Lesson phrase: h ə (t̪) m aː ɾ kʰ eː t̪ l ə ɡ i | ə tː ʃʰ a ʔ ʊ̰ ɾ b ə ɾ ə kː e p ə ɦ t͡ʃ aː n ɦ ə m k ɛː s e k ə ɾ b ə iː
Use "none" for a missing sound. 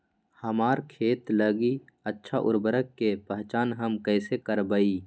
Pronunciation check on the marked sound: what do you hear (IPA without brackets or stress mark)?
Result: none